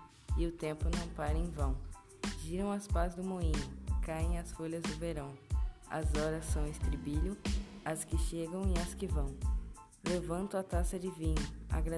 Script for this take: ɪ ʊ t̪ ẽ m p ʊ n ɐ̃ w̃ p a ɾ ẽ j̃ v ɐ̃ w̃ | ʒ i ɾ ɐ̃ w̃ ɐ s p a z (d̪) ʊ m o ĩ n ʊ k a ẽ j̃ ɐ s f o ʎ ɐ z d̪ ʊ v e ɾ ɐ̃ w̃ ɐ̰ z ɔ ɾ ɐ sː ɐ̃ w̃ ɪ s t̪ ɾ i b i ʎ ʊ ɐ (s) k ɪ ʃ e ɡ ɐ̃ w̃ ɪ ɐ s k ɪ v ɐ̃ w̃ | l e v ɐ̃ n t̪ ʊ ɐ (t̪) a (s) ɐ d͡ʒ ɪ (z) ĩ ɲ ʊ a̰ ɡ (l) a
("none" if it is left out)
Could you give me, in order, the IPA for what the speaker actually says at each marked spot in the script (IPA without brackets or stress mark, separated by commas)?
d̪, s, t̪, s, v, ɾ